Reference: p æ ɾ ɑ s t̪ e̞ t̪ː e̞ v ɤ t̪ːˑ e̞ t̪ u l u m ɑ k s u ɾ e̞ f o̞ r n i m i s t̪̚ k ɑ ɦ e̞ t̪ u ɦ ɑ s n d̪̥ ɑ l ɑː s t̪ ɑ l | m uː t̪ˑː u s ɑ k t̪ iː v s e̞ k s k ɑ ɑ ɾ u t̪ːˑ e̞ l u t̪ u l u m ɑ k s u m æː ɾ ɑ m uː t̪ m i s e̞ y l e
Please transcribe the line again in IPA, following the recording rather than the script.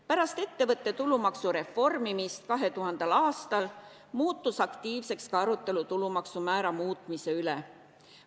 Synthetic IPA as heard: p æ ɾ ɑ s t̪ e̞ t̪ː e̞ v ɤ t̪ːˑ e̞ t̪ u l u m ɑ k s u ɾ e̞ f o̞ r m i m i s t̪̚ k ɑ ɦ e̞ t̪ u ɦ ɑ n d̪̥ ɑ l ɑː s t̪ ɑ l | m uː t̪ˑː u s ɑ k t̪ iː v s e̞ k s k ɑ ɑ ɾ u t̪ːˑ e̞ l u t̪ u l u m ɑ k s u m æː ɾ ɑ m uː t̪ m i s e̞ y l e